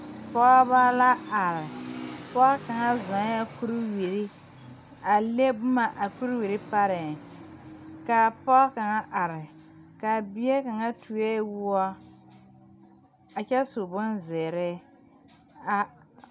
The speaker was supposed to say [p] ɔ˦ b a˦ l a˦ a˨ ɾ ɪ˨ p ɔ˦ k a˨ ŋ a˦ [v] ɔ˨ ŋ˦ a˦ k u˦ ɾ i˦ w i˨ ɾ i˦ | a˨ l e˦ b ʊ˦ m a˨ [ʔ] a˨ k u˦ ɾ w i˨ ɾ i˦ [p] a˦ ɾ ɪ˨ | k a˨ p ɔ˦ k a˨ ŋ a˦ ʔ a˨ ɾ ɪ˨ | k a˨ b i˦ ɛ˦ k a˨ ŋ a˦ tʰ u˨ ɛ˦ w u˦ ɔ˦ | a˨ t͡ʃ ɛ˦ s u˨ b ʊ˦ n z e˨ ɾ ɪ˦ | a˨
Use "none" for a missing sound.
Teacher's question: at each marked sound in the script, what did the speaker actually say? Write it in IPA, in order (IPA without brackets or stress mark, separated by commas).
p, z, ʔ, p